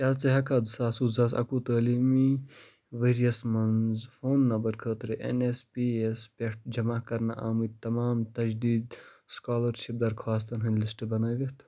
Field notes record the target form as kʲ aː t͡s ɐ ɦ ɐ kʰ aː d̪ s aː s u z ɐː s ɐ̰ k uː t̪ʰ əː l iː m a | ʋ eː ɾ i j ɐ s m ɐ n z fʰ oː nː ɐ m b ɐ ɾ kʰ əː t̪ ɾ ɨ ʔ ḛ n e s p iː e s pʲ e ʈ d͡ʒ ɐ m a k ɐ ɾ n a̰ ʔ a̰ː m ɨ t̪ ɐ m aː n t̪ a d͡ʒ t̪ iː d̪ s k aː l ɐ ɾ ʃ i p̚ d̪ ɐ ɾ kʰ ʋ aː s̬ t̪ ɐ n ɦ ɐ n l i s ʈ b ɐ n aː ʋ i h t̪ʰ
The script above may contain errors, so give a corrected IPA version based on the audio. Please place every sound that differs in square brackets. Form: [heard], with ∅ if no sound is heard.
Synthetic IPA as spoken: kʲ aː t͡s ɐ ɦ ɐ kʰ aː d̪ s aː s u z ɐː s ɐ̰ k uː [t̪] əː l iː m [i] | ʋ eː ɾ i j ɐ s m ɐ n z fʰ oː nː ɐ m b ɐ ɾ kʰ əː t̪ ɾ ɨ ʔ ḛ n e s p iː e s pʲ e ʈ d͡ʒ ɐ m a k ɐ ɾ n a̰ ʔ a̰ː m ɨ t̪ ɐ m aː [m] t̪ [ɐ] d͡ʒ [d̪] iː d̪ s k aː l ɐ ɾ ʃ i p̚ d̪ ɐ ɾ kʰ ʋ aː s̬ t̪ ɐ n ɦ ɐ n l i s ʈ b ɐ n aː ʋ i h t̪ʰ